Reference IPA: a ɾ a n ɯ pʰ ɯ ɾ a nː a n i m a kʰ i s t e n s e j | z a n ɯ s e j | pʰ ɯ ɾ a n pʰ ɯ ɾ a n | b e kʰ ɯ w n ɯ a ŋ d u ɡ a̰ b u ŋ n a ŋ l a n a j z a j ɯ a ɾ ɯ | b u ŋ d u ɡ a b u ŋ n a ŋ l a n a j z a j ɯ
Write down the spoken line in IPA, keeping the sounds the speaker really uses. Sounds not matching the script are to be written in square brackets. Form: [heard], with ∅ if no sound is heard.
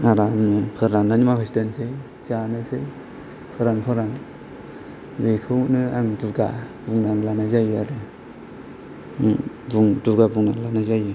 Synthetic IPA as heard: a ɾ a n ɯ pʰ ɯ ɾ a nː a n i m a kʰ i s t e n s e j | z a n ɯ s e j | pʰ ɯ ɾ a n pʰ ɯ ɾ a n | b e kʰ ɯ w n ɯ a ŋ d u ɡ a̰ b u ŋ n a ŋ l a n a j z a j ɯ a ɾ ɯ | b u ŋ d u ɡ a b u ŋ n a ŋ l a n a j z a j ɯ